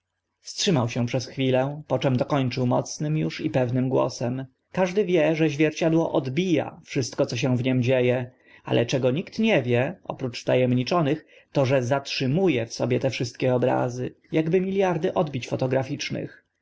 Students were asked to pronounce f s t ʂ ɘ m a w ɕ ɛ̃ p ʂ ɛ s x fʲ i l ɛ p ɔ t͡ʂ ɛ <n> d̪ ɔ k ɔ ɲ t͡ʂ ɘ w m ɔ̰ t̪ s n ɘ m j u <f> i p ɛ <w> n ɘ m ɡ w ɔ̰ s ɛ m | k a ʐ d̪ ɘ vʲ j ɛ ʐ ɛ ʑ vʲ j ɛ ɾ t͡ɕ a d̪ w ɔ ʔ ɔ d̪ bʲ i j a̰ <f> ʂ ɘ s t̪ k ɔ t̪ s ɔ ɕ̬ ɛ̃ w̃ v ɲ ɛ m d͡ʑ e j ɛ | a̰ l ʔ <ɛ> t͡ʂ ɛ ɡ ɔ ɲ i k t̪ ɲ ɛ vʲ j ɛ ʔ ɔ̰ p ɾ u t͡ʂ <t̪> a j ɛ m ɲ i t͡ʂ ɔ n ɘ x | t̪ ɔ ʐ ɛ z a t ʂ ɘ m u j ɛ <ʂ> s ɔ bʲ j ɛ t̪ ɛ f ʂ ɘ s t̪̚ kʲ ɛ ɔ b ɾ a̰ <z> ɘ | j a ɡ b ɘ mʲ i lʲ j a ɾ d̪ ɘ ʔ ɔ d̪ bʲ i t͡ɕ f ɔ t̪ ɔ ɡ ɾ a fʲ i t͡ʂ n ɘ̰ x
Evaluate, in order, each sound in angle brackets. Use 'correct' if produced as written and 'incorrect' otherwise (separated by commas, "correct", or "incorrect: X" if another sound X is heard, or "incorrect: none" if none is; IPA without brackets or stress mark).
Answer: incorrect: m, incorrect: ʂ, incorrect: v, correct, correct, correct, incorrect: f, correct